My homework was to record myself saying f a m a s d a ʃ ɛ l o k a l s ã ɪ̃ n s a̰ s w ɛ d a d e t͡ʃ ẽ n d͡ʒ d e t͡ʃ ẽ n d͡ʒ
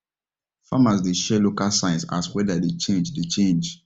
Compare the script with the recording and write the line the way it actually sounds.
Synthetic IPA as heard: f a m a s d e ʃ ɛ l o k a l s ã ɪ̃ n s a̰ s w ɛ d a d e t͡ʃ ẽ n d͡ʒ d e t͡ʃ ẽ n d͡ʒ